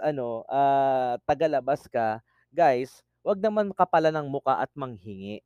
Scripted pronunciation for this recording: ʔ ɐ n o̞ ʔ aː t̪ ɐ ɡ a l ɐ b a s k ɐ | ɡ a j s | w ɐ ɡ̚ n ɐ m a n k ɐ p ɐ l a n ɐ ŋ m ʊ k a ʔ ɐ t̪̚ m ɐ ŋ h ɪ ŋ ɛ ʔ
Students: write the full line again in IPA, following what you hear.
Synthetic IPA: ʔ ɐ n o̞ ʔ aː t̪ ɐ ɡ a l ɐ b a s k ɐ | ɡ a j s | w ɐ ɡ̚ n ɐ m a n k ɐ p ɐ l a n ɐ ŋ m ʊ k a ʔ ɐ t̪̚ m ɐ ŋ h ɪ ŋ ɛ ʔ